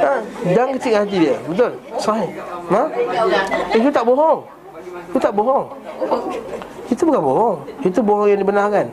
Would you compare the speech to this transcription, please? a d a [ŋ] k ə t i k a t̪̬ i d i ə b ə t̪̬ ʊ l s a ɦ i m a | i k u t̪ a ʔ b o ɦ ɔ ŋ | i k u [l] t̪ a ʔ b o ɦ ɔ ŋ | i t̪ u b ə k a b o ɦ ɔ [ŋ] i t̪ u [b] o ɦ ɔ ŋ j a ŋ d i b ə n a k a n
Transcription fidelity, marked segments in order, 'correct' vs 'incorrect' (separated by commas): correct, incorrect, correct, correct